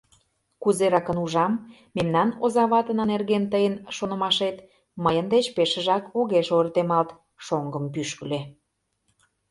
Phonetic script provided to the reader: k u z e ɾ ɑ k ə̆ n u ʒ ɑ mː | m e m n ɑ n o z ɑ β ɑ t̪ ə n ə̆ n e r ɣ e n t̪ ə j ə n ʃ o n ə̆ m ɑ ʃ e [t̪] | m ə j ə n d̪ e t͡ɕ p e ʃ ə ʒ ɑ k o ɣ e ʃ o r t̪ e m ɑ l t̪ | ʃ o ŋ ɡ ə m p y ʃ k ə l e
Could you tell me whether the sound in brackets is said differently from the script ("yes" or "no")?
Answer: no